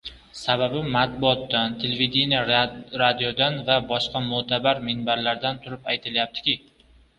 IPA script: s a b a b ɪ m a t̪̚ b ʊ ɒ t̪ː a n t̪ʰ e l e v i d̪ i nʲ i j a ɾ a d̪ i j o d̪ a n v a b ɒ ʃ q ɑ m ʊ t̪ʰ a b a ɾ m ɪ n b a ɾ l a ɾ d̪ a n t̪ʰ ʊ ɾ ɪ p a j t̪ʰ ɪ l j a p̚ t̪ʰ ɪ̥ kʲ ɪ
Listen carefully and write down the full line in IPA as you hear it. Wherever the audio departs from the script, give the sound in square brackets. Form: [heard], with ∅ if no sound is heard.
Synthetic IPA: s a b a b ɪ m a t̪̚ b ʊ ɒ t̪ː a n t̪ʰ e l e v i d̪ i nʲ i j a ɾ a d̪ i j o d̪ a n v a b ɒ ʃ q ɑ m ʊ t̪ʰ a b a ɾ m ɪ n b a ɾ l a ɾ d̪ a n t̪ʰ ʊ ɾ ɪ p a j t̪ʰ ɪ l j a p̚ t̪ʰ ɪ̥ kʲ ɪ